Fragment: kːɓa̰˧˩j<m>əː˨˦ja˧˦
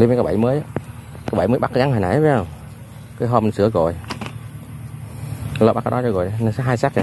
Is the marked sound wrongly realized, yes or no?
no